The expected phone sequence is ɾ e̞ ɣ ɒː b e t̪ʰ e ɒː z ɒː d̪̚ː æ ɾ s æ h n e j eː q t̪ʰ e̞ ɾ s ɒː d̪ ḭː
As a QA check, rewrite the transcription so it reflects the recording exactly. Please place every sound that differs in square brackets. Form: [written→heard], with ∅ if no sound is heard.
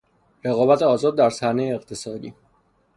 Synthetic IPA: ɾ e̞ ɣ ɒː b [e→æ] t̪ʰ e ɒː z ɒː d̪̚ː æ ɾ s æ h n e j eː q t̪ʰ e̞ [ɾ→∅] s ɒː d̪ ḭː